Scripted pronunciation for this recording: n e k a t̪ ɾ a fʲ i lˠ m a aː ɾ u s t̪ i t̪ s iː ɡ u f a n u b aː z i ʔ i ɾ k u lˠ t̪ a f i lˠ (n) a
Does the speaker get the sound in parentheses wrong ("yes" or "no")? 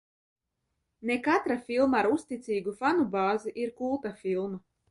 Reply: yes